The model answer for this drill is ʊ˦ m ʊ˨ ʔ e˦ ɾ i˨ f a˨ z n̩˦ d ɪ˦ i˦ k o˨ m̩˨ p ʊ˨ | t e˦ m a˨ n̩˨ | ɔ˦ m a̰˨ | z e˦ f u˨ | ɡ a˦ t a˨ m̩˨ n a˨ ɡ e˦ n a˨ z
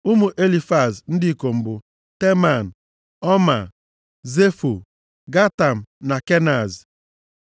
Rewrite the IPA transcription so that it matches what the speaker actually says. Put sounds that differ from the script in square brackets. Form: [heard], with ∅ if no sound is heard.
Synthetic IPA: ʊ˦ m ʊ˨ ʔ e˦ [l] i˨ f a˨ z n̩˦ d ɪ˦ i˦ k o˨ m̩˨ [b] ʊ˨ | t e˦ m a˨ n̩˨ | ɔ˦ m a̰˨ | z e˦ f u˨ | ɡ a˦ t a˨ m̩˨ n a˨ [k] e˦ n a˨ z